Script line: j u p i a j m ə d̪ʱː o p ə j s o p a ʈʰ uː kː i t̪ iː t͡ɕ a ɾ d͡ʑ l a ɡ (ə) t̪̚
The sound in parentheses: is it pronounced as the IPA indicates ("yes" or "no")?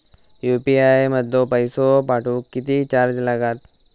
no